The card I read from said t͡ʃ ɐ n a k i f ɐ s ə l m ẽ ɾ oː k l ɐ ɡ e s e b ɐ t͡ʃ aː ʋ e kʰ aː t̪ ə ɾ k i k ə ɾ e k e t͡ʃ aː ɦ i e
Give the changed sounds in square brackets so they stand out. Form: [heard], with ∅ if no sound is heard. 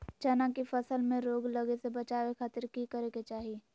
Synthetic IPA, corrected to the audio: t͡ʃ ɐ n a k i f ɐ s ə l m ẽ ɾ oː [ɡ] l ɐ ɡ e s e b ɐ t͡ʃ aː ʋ e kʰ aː t̪ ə ɾ k i k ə ɾ e k e t͡ʃ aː ɦ i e

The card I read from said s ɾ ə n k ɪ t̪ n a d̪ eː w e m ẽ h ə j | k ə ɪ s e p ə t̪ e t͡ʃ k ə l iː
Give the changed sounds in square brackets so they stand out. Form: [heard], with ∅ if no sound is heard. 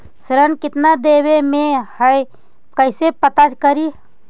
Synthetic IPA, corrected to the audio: s ɾ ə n k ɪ t̪ n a d̪ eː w e m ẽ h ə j | k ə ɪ s e p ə t̪ [a] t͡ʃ k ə [ɾ] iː

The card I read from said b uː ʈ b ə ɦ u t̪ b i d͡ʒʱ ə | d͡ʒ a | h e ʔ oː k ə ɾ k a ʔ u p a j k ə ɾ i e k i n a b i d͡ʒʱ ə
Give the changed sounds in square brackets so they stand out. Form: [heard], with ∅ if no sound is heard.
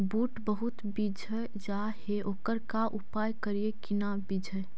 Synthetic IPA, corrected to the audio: b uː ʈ b ə ɦ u t̪ b i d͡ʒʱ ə | d͡ʒ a | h e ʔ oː k ə ɾ k a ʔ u p a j k ə ɾ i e k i n a b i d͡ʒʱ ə

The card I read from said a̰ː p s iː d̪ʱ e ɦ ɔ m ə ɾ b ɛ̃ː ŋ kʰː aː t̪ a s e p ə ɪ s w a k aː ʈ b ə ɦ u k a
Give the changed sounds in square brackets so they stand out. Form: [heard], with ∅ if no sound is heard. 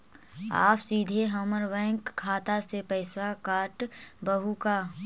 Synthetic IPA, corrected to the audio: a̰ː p s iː d̪ʱ e ɦ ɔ m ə ɾ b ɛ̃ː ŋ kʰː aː t̪ a s e p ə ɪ s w a k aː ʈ b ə ɦ u k a

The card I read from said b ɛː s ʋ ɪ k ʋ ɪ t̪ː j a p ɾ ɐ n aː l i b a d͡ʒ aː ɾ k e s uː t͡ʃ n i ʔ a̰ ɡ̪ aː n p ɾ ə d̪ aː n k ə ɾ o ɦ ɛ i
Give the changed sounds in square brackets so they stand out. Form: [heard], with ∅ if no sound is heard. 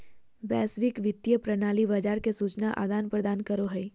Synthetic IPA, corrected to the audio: b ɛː s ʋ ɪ k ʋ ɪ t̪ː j [ə] p ɾ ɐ n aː l i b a d͡ʒ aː ɾ k e s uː t͡ʃ n [a] ʔ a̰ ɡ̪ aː n p ɾ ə d̪ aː n k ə ɾ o ɦ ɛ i

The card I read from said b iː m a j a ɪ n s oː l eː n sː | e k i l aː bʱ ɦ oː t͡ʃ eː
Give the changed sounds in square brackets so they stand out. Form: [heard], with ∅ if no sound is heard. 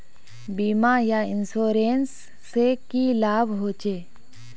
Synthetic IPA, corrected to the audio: b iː m a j a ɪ n s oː [ɾ] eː n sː | e k i l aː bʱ ɦ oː t͡ʃ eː

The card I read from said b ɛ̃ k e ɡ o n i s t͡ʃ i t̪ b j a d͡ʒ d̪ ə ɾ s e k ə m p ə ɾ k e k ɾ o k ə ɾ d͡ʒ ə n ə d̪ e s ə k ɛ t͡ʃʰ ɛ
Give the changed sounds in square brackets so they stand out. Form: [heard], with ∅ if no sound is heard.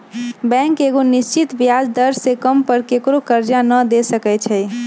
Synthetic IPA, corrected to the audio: b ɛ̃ k e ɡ o n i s t͡ʃ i t̪ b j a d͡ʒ d̪ ə ɾ s e k ə m p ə ɾ k e k ɾ o k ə ɾ d͡ʒ [a] n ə d̪ e s ə k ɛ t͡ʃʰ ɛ

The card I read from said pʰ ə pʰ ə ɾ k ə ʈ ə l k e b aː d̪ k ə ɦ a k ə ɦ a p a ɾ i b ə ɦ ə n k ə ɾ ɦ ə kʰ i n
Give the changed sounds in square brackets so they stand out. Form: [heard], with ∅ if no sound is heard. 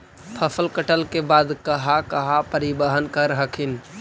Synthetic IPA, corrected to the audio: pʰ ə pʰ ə [l] k ə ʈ ə l k e b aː d̪ k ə ɦ a k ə ɦ a p [ə] ɾ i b ə ɦ ə n k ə ɾ ɦ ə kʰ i n

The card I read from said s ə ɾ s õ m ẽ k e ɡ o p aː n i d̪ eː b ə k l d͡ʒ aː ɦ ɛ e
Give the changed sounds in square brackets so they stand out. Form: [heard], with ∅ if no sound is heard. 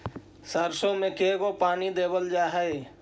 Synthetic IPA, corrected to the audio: s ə ɾ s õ m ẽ k e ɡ o p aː n i d̪ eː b ə [∅] l d͡ʒ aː ɦ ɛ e

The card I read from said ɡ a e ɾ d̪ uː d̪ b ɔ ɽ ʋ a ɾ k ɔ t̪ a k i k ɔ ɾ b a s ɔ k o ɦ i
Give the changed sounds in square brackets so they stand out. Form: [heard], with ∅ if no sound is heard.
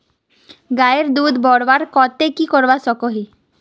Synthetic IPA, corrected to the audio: ɡ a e ɾ d̪ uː d̪ b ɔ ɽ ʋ a ɾ k ɔ t̪ [e] k i k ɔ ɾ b a s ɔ k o ɦ i

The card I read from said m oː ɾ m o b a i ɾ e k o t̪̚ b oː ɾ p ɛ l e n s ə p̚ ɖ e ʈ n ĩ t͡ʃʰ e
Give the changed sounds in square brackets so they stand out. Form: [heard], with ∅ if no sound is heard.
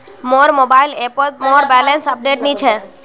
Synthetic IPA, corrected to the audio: m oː ɾ m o b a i [l] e [p] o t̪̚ [m] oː ɾ [b] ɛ l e n s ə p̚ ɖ e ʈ n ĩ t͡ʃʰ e

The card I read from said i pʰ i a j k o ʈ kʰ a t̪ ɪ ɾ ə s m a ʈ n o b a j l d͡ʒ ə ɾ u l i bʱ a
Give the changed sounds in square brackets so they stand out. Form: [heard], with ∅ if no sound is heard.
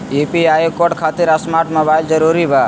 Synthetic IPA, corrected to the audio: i [p] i a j k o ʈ kʰ a t̪ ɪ ɾ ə s m a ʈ [m] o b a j l d͡ʒ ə ɾ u [ɾ] i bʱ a

